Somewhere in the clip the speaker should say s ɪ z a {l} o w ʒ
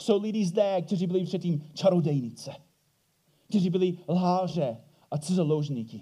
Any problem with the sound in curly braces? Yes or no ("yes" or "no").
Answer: no